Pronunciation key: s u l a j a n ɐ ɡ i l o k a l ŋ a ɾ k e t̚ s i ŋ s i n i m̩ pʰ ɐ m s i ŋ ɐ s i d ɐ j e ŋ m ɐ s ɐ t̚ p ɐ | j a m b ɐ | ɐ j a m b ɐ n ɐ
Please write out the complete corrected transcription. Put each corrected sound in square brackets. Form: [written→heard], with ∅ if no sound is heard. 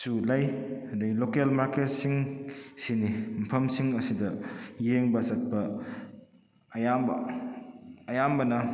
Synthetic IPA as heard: s u l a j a [n→d] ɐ ɡ i l o k [a→e] l [ŋ→m] a ɾ k e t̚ s i ŋ s i n i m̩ pʰ ɐ m s i ŋ ɐ s i d ɐ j e ŋ [m→b] ɐ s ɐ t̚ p ɐ | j a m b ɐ | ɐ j a m b ɐ n ɐ